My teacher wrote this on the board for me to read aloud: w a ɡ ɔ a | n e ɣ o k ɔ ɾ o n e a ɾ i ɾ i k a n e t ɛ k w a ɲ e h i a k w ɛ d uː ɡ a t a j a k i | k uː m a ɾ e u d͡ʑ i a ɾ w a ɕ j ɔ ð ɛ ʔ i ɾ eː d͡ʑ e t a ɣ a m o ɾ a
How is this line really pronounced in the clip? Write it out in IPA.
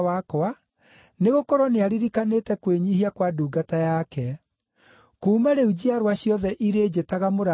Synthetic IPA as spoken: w a k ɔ a | n e ɣ o k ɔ ɾ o n e a ɾ i ɾ i k a n e t ɛ k w e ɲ i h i a k w a d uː ɡ a t a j a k ɛ | k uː m a ɾ e u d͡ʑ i a ɾ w a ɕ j ɔ ð ɛ ʔ i ɾ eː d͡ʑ e t a ɣ a m o ɾ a